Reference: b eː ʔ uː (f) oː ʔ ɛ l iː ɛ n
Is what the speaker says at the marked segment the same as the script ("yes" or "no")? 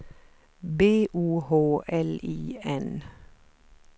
no